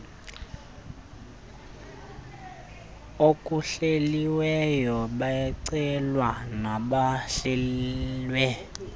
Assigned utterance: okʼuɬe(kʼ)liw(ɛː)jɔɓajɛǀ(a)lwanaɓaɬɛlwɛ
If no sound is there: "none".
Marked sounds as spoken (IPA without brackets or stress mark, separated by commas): none, ɛ, ɛ